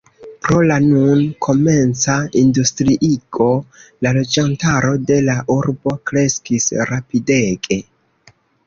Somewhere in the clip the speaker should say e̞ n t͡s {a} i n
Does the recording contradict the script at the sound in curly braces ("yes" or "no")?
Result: no